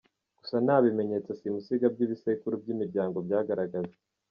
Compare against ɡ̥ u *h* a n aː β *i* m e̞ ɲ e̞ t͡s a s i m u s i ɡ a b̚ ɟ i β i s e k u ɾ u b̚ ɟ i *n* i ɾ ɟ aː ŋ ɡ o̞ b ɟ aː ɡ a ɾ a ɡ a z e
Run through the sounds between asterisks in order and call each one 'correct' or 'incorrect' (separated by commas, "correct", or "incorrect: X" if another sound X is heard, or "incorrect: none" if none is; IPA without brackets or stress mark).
incorrect: s, correct, incorrect: m